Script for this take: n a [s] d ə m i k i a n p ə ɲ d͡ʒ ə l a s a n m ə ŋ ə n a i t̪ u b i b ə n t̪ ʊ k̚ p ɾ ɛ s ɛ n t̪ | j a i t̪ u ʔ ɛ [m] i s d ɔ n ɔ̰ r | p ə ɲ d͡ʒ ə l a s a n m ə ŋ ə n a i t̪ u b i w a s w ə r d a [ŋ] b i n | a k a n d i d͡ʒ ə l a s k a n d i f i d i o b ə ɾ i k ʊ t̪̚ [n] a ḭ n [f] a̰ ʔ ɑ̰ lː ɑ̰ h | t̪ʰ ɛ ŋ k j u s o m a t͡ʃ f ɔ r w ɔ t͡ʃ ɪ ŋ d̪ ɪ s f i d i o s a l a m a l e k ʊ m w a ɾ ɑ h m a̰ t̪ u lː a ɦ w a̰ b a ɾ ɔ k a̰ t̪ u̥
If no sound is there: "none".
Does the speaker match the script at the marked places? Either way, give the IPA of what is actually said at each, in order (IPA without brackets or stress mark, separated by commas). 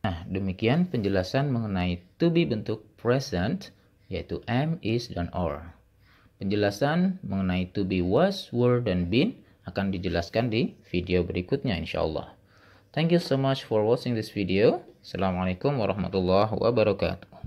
h, m, n, ɲ, ʃ